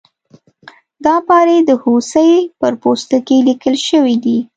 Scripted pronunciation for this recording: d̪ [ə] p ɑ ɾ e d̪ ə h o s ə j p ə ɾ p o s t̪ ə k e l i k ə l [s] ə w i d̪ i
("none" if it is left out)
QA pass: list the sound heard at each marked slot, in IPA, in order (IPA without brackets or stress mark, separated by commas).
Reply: ɑ, ʃ